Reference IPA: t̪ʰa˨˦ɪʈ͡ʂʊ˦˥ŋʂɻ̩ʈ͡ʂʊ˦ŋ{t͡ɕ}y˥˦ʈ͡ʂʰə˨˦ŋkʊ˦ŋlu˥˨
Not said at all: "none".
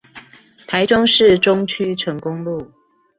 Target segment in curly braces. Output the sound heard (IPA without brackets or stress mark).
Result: t͡ɕʰ